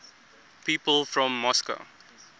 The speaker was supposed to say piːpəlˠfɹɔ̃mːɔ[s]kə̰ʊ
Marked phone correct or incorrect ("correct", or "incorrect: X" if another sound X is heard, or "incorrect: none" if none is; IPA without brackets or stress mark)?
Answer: correct